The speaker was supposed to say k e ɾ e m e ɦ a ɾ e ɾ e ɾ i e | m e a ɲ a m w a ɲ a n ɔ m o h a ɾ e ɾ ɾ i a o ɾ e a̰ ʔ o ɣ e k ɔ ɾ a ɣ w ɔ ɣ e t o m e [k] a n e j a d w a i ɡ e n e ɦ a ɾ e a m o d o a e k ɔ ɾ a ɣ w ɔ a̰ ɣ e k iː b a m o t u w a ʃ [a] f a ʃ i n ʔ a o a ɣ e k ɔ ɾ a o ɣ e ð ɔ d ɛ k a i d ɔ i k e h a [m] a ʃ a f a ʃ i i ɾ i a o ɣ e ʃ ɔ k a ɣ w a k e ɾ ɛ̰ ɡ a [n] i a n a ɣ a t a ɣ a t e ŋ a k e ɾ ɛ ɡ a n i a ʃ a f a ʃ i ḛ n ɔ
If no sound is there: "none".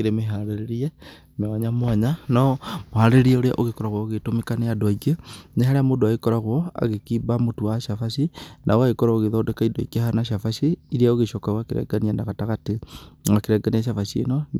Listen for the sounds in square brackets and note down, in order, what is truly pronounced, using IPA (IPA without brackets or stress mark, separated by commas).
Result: k, a, n, n